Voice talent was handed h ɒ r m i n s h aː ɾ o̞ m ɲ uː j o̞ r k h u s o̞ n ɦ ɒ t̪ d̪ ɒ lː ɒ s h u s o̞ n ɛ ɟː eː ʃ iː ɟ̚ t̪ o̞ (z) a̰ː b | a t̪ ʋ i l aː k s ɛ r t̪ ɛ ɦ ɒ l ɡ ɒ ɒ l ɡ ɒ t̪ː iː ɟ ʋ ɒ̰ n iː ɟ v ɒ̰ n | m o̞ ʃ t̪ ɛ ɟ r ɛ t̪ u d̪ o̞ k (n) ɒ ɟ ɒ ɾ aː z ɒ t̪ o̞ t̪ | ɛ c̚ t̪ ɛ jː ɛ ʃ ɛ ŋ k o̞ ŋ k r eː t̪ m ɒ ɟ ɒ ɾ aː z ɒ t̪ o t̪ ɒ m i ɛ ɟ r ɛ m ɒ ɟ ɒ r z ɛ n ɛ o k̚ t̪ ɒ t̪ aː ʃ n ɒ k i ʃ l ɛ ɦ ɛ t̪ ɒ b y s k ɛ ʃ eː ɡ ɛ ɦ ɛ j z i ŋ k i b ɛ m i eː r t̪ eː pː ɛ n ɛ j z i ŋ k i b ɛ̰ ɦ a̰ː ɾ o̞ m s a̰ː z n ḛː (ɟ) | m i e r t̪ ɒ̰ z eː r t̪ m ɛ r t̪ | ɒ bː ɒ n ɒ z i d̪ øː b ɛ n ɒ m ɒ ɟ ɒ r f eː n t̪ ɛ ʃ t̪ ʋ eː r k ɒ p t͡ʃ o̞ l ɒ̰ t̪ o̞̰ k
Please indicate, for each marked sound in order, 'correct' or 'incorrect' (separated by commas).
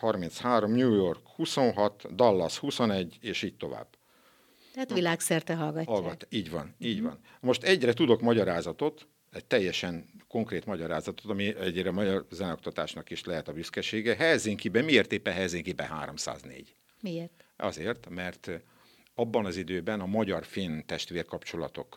incorrect, incorrect, correct